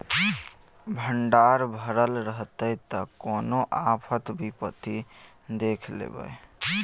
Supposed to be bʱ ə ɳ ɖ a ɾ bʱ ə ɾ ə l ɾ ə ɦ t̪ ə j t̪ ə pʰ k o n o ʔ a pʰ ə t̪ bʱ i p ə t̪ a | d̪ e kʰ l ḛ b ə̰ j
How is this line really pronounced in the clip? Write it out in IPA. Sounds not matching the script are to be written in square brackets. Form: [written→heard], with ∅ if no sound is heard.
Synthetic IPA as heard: bʱ ə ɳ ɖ a ɾ bʱ ə ɾ ə l ɾ ə ɦ t̪ ə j t̪ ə [pʰ→∅] k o n o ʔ a pʰ ə t̪ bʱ i p ə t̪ [a→i] | d̪ e kʰ l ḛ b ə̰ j

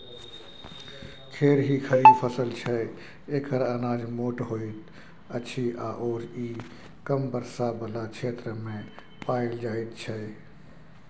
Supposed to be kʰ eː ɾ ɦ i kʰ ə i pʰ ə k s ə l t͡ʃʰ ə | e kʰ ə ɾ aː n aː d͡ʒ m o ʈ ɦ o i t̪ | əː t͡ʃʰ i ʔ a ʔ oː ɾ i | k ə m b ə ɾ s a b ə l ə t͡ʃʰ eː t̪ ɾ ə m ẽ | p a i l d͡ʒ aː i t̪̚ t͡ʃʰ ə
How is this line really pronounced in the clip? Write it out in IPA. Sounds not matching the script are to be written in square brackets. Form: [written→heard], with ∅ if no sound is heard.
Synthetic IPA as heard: kʰ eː ɾ ɦ i kʰ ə i pʰ ə [k→∅] s ə l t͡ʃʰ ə | e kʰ ə ɾ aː n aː d͡ʒ m o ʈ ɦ o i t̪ | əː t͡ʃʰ i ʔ a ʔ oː ɾ i | k ə m b ə ɾ s a b ə l [ə→a] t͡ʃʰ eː t̪ ɾ ə m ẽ | p a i l d͡ʒ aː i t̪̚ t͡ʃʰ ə

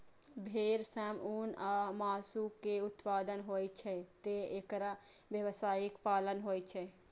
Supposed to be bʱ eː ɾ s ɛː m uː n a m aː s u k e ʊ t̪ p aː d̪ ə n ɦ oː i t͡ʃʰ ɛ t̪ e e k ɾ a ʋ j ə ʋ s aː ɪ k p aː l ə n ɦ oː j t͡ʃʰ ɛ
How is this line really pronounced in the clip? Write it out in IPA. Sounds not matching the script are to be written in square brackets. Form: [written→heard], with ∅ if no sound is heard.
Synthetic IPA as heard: bʱ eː ɾ s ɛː m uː n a m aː s u k e ʊ t̪ p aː d̪ ə n ɦ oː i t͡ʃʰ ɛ t̪ e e k ɾ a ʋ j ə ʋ s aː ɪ k p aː l ə n ɦ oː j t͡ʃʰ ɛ

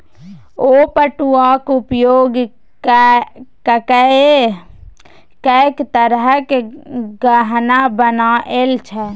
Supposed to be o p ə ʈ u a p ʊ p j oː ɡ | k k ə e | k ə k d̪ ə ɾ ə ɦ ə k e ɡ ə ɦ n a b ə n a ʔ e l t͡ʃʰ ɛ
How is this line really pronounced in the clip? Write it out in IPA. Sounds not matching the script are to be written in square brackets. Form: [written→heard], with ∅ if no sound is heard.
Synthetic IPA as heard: o p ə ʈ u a [p→k] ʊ p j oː ɡ | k k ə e | k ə k [d̪→t̪] ə ɾ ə ɦ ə k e ɡ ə ɦ n a b ə n a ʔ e l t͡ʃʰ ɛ

